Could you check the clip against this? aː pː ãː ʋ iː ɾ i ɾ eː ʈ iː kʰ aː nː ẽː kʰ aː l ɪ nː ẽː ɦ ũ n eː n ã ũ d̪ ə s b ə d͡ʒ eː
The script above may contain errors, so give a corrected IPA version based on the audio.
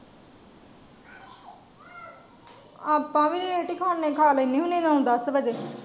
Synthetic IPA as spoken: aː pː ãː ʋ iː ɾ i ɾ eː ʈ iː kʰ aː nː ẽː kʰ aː l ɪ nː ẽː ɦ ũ n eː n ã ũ d̪ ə s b ə d͡ʒ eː